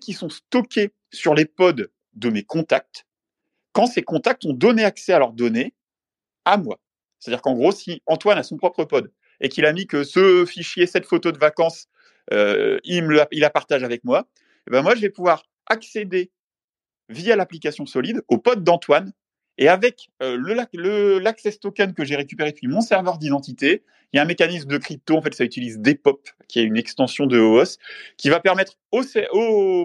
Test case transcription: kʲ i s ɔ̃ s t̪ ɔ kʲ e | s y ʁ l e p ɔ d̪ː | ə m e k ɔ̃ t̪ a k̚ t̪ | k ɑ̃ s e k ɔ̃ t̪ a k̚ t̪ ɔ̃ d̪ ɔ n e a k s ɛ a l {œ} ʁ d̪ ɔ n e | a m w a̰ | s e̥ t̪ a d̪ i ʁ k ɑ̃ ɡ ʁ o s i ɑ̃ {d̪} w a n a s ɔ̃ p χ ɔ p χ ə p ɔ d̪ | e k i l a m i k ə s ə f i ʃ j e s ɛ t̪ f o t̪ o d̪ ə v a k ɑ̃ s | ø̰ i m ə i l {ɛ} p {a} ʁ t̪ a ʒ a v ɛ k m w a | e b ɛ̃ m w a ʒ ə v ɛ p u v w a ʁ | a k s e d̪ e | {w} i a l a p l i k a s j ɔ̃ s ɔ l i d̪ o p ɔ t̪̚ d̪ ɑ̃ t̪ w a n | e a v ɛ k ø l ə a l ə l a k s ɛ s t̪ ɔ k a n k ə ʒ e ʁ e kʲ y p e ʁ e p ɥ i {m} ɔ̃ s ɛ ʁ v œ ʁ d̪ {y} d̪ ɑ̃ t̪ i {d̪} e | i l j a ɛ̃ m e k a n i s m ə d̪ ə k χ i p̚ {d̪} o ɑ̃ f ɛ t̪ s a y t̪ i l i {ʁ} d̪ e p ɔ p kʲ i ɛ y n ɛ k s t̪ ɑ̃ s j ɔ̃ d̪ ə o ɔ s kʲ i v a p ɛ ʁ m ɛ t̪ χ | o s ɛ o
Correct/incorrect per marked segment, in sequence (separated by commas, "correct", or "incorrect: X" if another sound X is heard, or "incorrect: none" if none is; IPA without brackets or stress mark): correct, incorrect: t̪, incorrect: a, correct, incorrect: v, correct, incorrect: i, incorrect: t̪, incorrect: t̪, incorrect: z